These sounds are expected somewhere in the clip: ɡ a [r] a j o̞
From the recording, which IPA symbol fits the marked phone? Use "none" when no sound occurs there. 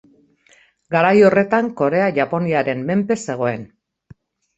ɾ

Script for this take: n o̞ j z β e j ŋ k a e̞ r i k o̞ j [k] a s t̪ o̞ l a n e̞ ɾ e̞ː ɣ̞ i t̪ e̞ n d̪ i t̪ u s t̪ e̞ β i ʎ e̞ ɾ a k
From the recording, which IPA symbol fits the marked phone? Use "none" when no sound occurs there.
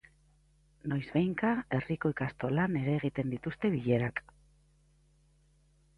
k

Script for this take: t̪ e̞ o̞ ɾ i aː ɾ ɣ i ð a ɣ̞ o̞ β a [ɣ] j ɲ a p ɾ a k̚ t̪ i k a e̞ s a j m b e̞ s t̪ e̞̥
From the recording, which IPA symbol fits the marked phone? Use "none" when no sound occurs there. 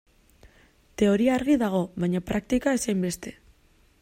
none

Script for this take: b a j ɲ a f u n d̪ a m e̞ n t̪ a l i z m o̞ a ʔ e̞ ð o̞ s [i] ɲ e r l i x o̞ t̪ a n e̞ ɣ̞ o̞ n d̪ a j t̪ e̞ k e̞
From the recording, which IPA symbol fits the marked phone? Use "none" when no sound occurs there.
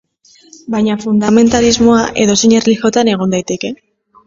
i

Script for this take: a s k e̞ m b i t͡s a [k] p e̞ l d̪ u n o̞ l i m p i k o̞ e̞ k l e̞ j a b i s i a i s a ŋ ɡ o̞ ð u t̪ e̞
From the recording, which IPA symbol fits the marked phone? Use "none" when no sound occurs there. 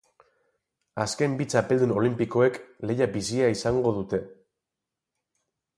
none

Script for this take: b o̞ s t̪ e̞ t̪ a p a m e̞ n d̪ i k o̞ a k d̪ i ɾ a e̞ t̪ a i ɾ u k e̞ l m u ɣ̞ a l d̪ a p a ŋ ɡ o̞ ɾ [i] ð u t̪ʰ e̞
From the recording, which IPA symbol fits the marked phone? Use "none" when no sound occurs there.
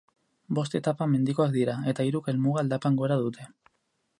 a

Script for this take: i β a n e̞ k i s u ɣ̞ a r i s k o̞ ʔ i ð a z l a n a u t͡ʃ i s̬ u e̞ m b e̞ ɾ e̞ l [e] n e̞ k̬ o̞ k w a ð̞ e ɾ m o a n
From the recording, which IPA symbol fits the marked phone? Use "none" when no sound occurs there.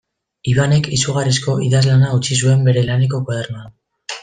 a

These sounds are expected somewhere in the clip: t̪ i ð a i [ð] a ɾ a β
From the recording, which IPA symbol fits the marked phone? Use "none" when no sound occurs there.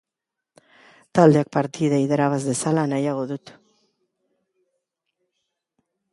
ð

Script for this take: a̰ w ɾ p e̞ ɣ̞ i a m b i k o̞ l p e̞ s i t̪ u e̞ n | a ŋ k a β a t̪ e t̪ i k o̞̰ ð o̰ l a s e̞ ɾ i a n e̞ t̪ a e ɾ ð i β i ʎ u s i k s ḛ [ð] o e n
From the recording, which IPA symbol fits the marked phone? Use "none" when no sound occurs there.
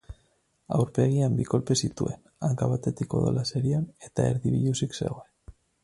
ɣ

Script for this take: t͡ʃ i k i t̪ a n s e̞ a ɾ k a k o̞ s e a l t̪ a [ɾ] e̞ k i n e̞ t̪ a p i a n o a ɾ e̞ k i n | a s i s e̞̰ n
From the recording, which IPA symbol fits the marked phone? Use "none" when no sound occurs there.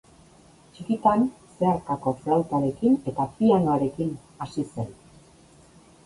ɾ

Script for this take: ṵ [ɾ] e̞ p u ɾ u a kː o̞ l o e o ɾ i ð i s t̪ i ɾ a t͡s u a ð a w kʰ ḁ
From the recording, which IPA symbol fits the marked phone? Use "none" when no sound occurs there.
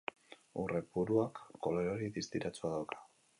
r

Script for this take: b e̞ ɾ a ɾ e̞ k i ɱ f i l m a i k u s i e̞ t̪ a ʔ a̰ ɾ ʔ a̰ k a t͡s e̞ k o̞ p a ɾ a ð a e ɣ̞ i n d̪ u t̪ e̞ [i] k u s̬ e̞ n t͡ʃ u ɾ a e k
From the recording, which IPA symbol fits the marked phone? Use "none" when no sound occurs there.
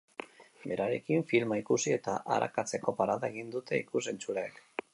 i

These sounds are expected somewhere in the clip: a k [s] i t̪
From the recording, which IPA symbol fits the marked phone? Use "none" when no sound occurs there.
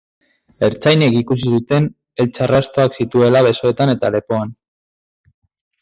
s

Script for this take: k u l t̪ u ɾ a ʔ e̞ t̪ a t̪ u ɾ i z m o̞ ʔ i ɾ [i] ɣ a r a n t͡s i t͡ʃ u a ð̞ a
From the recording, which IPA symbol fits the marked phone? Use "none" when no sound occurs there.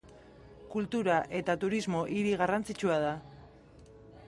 i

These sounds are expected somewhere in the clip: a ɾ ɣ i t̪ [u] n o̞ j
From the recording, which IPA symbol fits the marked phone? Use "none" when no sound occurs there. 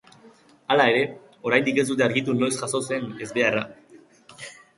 u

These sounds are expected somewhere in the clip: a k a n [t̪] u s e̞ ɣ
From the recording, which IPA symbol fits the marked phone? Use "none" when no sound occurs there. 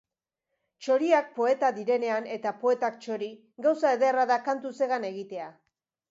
t̪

